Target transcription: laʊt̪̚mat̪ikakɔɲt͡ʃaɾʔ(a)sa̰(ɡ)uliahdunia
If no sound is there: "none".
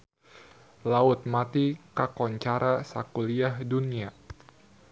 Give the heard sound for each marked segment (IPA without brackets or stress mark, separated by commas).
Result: a, k